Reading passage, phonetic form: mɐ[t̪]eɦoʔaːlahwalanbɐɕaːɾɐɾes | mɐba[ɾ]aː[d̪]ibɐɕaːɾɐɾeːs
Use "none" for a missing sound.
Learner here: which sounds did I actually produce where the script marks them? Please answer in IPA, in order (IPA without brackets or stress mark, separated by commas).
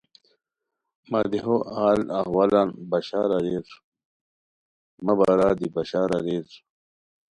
d̪, ɾ, d̪